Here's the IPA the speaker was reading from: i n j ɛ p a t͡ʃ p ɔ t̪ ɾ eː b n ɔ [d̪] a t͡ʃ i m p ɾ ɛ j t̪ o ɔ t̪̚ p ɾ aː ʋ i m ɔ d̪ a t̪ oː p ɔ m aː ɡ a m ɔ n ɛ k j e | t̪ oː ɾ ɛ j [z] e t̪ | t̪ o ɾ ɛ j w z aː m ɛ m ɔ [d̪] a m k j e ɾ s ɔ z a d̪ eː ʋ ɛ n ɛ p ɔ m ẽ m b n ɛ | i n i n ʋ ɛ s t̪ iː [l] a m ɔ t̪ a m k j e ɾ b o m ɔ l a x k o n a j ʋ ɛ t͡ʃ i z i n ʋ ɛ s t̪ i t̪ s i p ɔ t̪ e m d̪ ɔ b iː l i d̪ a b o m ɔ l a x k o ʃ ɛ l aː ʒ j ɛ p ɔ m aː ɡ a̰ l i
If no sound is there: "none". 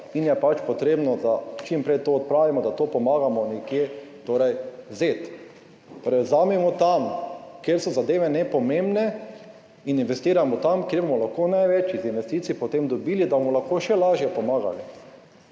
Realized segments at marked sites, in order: d̪, z, t̪, ɾ

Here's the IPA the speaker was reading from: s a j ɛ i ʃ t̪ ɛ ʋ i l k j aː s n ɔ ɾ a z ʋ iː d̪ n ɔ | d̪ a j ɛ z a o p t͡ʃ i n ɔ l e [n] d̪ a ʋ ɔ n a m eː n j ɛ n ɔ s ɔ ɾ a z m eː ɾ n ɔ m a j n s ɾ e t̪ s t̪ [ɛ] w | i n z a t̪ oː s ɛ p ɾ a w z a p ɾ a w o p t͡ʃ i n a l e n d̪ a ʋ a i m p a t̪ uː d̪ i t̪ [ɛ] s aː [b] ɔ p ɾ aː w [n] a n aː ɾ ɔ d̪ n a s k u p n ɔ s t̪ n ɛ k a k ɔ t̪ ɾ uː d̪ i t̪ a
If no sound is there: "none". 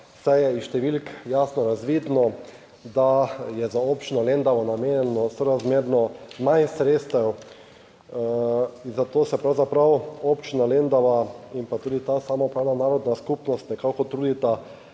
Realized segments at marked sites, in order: n, ɛ, a, m, n

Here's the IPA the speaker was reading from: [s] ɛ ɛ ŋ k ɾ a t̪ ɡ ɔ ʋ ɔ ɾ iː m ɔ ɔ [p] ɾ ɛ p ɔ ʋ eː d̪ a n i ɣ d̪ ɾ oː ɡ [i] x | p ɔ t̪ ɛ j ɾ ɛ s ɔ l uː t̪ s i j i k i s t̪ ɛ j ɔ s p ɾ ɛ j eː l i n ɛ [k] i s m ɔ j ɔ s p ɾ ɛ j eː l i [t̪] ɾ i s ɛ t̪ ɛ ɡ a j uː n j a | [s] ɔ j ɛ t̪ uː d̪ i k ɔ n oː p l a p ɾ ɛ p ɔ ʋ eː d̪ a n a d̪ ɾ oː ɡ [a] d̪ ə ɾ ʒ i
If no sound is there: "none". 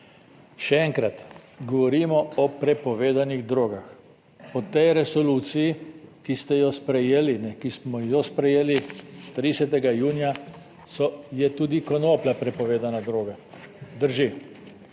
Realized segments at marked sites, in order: ʃ, p, a, k, t̪, s, a

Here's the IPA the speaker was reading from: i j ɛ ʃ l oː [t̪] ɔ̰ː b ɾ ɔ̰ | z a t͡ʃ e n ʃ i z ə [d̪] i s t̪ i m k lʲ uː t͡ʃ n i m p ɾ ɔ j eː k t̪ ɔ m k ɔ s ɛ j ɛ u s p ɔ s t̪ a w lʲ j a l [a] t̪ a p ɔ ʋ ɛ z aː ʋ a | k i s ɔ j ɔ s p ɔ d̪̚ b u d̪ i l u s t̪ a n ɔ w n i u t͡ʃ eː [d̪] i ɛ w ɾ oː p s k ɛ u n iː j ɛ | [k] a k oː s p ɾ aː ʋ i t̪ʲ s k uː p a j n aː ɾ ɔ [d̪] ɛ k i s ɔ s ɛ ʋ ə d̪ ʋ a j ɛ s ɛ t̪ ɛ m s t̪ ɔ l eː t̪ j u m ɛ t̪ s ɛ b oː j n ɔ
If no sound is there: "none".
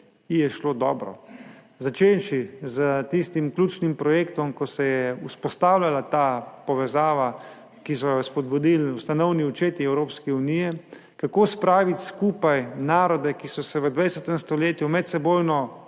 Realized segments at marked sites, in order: d̪, t̪, a, t̪, k, d̪

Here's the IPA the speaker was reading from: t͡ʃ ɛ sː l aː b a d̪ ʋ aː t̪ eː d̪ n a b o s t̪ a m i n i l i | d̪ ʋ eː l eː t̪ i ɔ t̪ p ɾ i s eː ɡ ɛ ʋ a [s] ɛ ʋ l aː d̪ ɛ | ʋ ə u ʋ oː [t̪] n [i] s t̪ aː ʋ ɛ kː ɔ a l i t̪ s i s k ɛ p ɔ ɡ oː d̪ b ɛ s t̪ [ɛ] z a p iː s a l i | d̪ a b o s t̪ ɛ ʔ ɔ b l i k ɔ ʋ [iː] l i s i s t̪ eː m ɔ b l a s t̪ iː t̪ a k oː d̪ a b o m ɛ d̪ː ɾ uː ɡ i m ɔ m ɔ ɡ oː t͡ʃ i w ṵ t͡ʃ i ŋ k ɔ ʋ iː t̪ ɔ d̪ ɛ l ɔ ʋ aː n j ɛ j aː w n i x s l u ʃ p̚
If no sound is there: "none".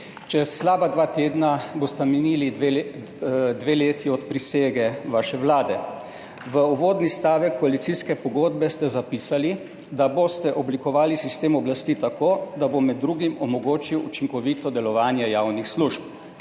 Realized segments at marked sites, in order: ʃ, d̪, i, ɛ, aː

